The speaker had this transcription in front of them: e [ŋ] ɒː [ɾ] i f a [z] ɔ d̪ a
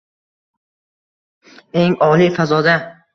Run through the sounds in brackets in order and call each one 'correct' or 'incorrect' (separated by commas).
correct, incorrect, correct